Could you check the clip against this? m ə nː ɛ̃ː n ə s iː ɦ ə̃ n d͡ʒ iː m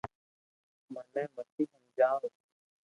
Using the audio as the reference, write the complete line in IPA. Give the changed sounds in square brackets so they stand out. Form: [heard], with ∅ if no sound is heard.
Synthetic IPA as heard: m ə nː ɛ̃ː [m] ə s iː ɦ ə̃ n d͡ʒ [aː] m